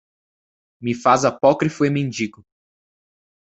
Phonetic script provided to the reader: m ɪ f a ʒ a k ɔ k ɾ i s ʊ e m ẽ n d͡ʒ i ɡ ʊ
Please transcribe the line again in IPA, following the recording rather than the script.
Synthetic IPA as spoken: m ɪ f a z a p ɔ k ɾ i f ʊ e m ẽ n d͡ʒ i ɡ ʊ